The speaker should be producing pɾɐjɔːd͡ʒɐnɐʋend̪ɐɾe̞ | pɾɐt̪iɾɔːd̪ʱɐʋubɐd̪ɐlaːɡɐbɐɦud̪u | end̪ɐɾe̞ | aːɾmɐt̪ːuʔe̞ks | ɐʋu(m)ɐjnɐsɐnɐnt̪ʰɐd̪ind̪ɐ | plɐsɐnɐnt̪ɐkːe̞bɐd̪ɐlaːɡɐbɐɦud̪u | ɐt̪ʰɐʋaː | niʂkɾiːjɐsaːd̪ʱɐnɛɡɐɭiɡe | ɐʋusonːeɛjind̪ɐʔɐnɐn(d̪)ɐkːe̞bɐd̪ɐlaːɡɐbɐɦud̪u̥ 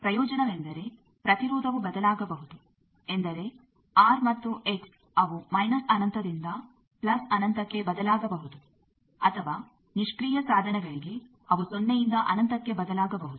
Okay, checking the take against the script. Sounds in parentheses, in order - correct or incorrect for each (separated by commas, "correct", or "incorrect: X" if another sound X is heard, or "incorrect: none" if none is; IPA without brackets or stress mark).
correct, incorrect: t̪